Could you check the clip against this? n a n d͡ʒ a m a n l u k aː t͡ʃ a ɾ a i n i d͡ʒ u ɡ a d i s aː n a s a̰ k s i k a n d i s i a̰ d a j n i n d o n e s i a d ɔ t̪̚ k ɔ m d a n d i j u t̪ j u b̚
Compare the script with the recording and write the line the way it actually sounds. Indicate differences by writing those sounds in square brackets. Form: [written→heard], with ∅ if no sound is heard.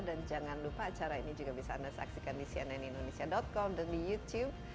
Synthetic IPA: [n→d] a n d͡ʒ a [m→ŋ] a n l u [k→p] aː t͡ʃ a ɾ a i n i d͡ʒ u ɡ a [d→b] i s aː n a s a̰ k s i k a n d i s i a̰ [d→n] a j n i n d o n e s i a d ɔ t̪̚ k ɔ m d a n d i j u t̪ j u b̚